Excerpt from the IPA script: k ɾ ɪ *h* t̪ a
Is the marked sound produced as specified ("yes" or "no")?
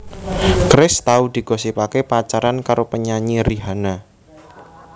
no